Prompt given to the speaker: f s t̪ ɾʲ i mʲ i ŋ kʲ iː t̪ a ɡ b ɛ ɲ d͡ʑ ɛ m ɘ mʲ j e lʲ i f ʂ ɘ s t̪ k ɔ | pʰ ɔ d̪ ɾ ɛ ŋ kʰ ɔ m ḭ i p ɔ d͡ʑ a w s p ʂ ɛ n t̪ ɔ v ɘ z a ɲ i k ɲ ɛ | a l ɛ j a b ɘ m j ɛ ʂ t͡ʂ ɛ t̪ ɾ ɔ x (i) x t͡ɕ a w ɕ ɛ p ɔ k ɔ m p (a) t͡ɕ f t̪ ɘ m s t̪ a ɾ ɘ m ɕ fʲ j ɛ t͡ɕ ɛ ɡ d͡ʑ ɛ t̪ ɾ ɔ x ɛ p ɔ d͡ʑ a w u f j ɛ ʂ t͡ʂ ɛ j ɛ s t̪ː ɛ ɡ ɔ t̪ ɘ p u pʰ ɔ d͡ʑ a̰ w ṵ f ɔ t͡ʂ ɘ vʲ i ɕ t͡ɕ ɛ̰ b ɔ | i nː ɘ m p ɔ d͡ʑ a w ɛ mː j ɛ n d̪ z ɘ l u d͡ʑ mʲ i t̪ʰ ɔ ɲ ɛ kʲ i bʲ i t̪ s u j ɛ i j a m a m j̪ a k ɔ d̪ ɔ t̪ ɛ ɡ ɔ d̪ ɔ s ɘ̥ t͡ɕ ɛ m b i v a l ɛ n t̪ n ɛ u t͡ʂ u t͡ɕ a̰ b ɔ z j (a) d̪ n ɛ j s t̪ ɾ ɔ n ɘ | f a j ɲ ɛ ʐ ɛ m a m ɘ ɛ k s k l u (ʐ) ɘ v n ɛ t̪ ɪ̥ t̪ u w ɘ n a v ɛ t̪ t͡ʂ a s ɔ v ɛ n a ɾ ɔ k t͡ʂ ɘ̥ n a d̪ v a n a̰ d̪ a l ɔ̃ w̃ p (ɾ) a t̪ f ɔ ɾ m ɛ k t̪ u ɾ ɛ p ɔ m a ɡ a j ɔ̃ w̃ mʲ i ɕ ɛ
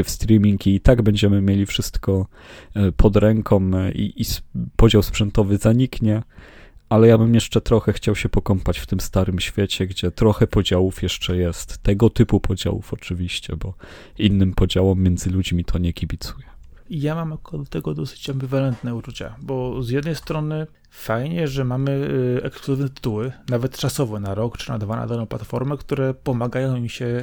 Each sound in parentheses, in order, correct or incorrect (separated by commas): incorrect, correct, incorrect, incorrect, incorrect